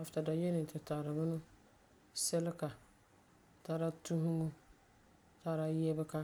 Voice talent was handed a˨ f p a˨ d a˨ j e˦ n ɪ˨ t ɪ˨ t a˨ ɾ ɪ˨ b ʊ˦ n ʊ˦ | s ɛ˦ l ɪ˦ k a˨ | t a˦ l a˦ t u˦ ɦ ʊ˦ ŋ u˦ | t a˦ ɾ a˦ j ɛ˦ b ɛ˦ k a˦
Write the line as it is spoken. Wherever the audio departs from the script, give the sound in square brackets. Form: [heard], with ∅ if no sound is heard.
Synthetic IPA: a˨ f [t] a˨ d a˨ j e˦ n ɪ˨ t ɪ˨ t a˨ ɾ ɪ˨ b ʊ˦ n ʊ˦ | s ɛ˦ l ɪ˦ k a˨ | t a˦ [ɾ] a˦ t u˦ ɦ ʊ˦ ŋ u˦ | t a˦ ɾ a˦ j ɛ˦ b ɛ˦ k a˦

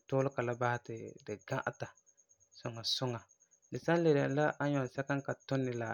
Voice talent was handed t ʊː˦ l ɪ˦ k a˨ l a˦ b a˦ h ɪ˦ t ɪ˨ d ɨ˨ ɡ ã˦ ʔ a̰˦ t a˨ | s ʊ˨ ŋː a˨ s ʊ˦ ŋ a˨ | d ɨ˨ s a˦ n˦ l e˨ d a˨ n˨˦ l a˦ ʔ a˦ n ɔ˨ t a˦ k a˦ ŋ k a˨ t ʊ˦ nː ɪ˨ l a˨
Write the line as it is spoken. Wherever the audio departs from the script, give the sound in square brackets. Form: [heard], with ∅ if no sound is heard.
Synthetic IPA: t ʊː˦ l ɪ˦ k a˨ l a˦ b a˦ h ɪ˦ t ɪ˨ d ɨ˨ ɡ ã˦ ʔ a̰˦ t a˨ | s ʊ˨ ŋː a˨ s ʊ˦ ŋ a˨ | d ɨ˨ s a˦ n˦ l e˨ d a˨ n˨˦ l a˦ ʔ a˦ [ɲ] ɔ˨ [s] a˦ k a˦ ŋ k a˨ t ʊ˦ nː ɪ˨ l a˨

